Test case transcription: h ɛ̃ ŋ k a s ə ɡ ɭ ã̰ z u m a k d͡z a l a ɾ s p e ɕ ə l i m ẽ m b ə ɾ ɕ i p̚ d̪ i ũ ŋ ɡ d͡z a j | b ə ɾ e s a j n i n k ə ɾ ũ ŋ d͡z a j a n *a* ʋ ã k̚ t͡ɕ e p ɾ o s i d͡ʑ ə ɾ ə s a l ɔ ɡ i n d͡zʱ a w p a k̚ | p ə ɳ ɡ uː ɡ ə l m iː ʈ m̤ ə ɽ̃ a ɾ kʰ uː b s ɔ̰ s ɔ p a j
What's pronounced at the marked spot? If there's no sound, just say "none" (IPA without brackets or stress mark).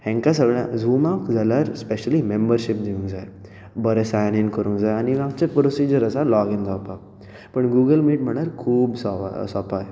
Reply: i